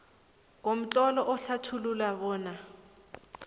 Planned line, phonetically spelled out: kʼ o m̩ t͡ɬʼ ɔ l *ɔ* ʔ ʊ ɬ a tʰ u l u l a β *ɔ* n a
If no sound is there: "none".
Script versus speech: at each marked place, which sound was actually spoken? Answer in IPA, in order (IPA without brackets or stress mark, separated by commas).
ɔ, ɔː